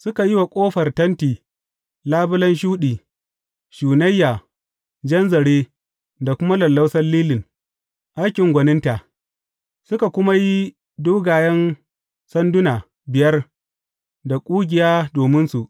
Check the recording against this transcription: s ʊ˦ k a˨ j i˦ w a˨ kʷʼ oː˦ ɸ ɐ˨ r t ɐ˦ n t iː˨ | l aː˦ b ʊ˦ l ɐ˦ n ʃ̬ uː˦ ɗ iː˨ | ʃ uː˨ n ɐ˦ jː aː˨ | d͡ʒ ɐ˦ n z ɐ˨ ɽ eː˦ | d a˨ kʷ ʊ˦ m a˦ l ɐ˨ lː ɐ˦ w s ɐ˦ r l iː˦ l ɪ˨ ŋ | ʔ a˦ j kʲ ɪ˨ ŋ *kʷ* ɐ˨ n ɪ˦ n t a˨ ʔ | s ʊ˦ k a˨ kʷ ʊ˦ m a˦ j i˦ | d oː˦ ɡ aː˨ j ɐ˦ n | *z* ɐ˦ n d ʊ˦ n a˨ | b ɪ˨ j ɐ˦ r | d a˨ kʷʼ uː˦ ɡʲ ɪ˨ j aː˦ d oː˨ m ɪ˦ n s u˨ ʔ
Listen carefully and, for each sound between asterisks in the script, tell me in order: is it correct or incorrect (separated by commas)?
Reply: incorrect, incorrect